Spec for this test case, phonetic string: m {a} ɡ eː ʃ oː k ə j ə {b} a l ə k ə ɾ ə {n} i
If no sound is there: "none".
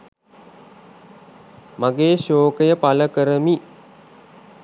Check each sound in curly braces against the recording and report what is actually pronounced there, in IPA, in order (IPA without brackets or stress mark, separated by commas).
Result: a, p, m